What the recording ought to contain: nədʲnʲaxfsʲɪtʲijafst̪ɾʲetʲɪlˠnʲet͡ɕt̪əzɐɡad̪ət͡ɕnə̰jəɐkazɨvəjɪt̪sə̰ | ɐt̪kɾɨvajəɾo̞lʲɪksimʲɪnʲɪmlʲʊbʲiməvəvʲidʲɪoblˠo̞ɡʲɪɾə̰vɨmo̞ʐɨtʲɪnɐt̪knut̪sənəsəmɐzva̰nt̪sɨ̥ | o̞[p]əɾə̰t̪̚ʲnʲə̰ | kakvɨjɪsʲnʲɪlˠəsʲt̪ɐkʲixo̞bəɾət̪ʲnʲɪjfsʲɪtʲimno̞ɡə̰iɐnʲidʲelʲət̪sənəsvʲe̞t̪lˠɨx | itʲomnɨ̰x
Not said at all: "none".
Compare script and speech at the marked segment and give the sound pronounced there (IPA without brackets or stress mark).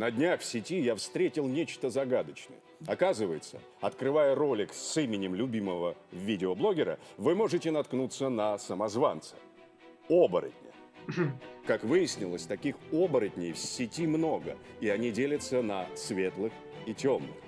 b